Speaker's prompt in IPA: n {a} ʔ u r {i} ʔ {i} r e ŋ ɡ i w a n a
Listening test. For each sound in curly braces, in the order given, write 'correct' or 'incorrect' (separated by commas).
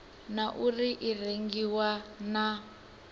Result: correct, correct, correct